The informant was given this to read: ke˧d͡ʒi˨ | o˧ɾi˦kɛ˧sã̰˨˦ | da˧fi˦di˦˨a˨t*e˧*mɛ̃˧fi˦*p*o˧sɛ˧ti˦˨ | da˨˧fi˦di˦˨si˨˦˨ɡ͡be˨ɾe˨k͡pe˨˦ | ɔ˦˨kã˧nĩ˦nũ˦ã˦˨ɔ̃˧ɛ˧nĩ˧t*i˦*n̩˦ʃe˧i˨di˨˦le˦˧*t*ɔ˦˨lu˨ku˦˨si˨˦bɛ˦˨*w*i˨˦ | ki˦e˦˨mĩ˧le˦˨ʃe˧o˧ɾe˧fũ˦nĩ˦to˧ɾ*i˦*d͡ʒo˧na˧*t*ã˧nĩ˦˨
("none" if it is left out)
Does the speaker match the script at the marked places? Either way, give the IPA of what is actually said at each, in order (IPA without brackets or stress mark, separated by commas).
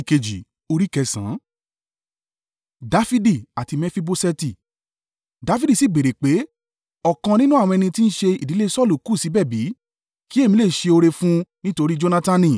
i˧, b, i˦, s, b, i˦, t